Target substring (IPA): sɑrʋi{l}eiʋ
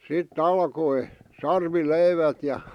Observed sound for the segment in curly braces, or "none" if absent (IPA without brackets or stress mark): l